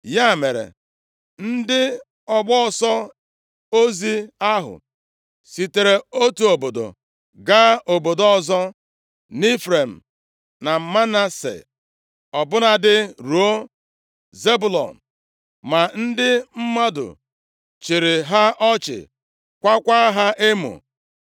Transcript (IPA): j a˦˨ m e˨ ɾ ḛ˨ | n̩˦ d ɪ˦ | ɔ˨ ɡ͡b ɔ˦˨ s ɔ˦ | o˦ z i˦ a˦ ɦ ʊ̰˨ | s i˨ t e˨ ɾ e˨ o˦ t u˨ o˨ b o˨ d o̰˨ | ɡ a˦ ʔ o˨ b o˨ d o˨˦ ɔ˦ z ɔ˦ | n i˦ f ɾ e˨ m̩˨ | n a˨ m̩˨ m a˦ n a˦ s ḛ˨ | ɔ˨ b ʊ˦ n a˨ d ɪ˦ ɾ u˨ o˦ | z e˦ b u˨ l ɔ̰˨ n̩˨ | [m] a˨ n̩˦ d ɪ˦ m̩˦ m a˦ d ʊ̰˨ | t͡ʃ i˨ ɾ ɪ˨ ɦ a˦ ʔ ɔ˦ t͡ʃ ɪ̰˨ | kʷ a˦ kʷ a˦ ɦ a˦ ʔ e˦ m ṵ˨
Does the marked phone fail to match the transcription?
no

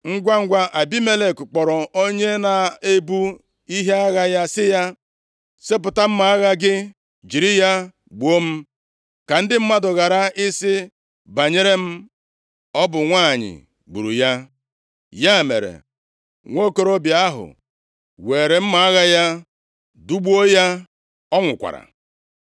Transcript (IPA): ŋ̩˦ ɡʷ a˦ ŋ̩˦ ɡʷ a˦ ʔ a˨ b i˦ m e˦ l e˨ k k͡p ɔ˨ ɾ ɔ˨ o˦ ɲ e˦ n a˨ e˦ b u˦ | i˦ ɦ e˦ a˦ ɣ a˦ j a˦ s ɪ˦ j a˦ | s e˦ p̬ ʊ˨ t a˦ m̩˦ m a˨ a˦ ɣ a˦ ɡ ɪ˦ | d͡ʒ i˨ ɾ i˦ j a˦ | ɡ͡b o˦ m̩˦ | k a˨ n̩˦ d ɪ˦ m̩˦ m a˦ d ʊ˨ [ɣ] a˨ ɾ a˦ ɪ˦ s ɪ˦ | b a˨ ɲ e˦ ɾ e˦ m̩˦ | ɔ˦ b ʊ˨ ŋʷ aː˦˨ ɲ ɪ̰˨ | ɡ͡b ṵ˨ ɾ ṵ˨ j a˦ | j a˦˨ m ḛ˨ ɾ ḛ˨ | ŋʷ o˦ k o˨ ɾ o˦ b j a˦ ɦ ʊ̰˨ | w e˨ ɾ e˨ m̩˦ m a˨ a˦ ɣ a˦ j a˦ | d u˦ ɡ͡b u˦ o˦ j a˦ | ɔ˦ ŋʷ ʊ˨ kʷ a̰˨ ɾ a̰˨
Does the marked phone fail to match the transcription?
no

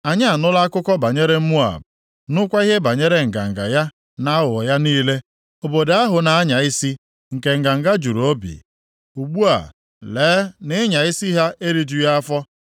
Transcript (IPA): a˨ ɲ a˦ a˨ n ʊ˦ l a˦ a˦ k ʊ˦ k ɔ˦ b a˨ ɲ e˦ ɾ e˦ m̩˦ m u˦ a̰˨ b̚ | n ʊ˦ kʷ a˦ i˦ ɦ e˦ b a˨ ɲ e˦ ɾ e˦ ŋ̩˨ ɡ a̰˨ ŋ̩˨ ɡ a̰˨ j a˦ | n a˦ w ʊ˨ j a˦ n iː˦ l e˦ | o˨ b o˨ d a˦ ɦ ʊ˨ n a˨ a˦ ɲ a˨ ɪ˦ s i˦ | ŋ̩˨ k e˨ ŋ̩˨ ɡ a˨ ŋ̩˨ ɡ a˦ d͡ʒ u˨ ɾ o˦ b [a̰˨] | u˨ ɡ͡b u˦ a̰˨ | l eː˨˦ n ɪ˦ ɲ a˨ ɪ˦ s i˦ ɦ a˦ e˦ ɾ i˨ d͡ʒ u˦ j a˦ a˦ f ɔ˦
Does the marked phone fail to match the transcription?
yes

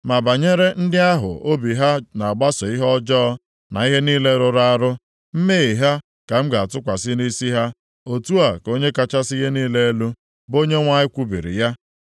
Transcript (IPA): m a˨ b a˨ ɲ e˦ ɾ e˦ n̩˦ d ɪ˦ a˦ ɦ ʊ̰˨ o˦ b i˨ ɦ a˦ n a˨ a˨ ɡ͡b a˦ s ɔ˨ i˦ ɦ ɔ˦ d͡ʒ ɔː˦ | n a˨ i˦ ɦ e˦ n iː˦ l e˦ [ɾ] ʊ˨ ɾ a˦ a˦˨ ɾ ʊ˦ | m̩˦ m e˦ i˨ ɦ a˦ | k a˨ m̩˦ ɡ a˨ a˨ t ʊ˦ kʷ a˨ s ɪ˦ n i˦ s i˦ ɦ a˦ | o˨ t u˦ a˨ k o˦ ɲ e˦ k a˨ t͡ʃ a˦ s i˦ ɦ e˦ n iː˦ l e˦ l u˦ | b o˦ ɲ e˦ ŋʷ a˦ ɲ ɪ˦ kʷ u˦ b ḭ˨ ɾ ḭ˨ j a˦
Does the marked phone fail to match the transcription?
no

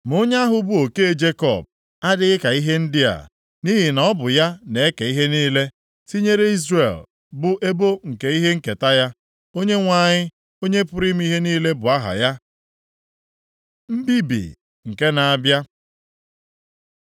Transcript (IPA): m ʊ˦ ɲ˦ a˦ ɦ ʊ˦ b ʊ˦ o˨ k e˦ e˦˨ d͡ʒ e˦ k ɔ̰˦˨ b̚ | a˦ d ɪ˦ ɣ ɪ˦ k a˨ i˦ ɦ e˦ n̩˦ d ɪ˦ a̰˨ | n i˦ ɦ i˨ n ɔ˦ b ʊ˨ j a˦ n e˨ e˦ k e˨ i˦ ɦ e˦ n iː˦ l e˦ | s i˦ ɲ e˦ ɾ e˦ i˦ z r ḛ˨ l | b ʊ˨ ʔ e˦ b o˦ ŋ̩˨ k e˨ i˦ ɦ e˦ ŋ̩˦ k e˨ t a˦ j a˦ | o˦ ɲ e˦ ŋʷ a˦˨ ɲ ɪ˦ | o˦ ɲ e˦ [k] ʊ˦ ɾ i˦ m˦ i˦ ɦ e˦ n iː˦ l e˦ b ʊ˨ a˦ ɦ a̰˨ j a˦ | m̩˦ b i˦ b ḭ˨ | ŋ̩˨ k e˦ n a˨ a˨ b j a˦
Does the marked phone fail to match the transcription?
yes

